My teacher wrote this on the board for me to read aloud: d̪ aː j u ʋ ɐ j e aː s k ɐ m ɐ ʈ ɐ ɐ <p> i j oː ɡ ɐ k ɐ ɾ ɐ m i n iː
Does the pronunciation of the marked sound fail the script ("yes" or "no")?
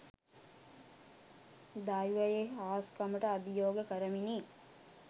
yes